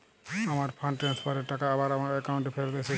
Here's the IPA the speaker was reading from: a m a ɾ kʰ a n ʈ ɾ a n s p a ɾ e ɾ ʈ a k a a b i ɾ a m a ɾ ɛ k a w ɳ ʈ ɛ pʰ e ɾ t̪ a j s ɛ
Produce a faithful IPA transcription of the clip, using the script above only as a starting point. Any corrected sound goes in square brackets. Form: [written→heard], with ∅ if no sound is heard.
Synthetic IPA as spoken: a m a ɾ [kʰ→pʰ] a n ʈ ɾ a n s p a ɾ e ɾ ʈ a k a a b [i→a] ɾ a m a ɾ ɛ k a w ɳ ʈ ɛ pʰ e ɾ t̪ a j s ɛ